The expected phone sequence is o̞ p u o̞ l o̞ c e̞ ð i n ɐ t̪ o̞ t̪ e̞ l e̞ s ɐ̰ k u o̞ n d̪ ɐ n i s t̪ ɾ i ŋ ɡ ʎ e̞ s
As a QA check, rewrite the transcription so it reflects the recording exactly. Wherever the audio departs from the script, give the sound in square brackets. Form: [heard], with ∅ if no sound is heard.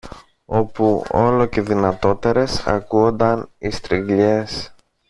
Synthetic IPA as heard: o̞ p u o̞ l o̞ c e̞ ð i n ɐ t̪ o̞ t̪ e̞ [ɾ] e̞ s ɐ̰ k u o̞ n d̪ ɐ n i s t̪ ɾ i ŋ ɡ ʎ e̞ s